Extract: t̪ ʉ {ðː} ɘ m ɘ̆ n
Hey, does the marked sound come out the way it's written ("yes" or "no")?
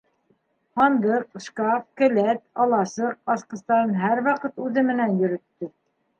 no